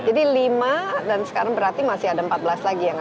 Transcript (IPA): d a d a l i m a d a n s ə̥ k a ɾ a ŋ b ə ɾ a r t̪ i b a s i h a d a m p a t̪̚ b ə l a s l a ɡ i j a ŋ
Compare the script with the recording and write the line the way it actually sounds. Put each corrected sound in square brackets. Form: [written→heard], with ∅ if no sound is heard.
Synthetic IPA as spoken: [d→d͡ʒ] a d [a→i] l i m a d a n s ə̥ k a ɾ a ŋ b ə ɾ a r t̪ i [b→m] a s [i→ɪ] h a d a m p a t̪̚ b ə l a s l a ɡ i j a ŋ